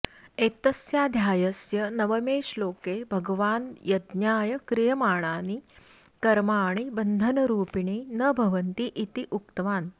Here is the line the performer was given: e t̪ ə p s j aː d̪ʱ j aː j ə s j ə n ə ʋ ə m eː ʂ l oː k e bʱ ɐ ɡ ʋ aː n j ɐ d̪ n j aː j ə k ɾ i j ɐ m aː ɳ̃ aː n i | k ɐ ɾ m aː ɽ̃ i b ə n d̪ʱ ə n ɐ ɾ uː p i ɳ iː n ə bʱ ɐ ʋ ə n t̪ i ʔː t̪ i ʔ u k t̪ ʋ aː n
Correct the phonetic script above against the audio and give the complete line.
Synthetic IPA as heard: e t̪ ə s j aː d̪ʱ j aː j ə s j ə n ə ʋ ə m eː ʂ l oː k e bʱ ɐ ɡ ʋ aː n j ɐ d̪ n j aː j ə k ɾ i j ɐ m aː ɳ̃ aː n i | k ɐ ɾ m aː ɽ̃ i b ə n d̪ʱ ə n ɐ ɾ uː p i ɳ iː n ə bʱ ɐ ʋ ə n t̪ i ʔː t̪ i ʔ u k t̪ ʋ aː n